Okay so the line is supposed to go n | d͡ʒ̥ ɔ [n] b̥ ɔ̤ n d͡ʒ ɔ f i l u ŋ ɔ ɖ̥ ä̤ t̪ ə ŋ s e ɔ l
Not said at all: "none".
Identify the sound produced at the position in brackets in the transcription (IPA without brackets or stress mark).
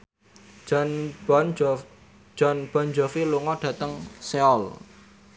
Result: n